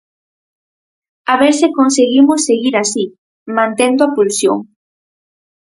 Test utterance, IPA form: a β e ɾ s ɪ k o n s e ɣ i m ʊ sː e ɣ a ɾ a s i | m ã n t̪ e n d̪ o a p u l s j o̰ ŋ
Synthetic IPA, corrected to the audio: a β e ɾ s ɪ k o n s e ɣ i m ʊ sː e ɣ i ɾ a s i | m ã n t̪ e n d̪ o a p u l s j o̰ ŋ